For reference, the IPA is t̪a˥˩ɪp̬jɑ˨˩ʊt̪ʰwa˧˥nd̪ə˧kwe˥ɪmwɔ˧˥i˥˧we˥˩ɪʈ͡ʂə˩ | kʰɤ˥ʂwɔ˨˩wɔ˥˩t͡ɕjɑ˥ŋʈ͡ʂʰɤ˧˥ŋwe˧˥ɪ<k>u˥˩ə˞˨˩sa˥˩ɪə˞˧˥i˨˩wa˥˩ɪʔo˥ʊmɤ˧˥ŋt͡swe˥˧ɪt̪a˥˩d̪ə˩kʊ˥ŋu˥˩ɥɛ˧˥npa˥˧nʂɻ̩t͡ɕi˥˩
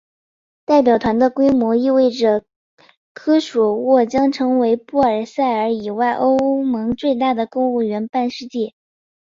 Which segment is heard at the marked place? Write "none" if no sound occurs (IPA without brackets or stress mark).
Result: p